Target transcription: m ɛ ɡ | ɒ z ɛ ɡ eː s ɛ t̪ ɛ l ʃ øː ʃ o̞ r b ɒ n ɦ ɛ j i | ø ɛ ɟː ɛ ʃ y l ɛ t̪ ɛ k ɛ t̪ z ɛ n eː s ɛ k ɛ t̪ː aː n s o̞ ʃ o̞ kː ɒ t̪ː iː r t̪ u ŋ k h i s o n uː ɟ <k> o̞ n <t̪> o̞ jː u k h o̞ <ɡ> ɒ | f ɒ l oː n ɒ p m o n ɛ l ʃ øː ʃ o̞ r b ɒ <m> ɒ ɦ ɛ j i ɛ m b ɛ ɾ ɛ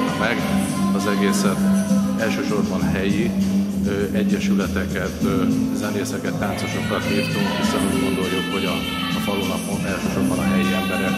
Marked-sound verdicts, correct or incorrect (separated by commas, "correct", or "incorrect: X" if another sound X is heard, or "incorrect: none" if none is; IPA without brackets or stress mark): incorrect: ɡ, incorrect: d̪, incorrect: ɟ, incorrect: n